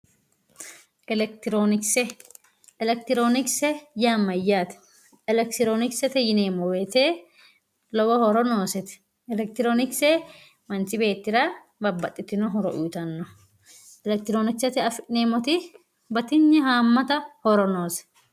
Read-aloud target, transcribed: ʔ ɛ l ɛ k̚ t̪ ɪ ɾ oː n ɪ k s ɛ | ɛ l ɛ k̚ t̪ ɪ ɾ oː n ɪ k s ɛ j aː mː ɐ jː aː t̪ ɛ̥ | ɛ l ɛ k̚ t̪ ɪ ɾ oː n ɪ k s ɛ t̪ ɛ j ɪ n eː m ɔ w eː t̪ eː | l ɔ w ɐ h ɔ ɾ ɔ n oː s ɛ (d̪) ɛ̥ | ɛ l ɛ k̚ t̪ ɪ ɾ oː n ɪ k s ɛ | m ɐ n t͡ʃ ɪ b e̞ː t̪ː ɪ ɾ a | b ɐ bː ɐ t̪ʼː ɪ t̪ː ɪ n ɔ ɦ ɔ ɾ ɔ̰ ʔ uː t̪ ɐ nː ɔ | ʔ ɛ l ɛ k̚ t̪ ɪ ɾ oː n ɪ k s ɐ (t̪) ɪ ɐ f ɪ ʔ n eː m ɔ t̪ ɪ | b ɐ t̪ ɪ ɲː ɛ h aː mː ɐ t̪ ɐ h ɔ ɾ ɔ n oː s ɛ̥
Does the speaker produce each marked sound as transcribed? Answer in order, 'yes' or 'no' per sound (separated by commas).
no, yes